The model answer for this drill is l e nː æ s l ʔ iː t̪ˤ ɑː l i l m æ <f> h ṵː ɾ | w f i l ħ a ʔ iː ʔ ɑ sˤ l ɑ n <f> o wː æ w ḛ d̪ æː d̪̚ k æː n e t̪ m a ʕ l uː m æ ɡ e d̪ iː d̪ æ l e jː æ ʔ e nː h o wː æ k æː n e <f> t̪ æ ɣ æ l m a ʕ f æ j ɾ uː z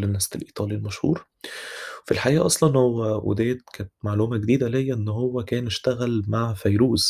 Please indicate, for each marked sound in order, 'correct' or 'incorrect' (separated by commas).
incorrect, incorrect, incorrect